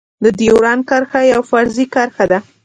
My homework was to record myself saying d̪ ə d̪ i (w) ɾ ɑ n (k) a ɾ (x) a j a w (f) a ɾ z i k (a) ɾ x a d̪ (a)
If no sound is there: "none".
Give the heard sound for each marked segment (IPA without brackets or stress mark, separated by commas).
w, k, x, f, a, a